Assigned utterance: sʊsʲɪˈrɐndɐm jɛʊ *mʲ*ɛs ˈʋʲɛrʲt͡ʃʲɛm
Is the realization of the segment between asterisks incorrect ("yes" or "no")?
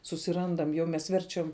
no